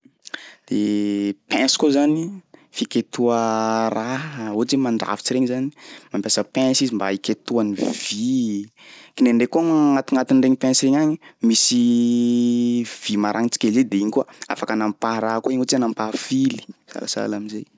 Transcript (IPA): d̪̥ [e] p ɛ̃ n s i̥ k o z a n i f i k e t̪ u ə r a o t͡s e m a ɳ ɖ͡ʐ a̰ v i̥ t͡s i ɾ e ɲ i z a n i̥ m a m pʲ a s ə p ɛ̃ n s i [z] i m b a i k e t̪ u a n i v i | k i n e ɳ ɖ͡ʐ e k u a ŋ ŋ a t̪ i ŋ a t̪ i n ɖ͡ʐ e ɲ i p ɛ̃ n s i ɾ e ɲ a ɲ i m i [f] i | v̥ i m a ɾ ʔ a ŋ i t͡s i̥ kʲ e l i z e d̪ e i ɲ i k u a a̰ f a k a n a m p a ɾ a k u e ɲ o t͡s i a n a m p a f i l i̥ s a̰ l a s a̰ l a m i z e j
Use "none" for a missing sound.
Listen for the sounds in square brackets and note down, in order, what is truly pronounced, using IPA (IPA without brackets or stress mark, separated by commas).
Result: e, z, s